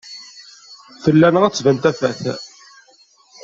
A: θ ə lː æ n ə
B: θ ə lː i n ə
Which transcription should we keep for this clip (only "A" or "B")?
A